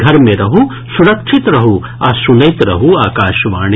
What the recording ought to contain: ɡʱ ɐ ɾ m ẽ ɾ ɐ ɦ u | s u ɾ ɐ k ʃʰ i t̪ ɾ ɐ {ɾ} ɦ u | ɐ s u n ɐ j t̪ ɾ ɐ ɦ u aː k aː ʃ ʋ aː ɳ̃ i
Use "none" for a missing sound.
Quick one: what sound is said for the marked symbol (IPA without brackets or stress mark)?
none